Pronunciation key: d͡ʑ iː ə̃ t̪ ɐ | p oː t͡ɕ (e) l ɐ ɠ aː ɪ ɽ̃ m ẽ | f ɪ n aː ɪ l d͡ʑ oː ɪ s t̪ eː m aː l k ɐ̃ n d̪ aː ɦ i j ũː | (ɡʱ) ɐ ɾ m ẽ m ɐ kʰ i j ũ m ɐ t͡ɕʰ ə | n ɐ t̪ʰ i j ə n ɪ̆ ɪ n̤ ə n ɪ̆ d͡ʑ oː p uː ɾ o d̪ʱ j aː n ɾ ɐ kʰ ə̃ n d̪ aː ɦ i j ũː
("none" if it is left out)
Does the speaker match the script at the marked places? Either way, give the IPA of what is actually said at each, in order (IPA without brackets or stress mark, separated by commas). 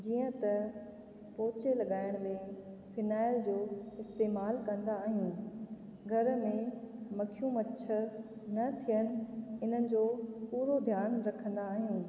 e, ɡʱ